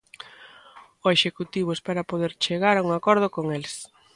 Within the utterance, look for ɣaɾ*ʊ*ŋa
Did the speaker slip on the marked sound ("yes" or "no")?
yes